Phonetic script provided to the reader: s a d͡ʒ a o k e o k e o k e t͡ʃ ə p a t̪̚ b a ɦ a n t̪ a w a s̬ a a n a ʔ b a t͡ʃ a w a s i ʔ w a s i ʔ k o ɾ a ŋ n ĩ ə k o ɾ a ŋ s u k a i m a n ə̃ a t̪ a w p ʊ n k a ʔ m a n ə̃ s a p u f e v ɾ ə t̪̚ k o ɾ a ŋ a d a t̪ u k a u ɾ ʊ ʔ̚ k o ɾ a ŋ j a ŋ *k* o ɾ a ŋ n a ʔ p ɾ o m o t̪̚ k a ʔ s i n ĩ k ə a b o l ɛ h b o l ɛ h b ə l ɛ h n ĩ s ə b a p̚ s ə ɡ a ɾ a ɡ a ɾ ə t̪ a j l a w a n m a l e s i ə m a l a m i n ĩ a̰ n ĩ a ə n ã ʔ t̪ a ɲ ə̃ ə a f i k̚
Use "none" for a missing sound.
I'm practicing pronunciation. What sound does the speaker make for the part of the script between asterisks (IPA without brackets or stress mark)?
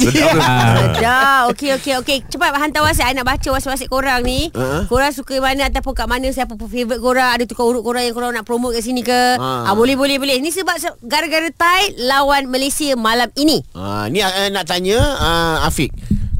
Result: k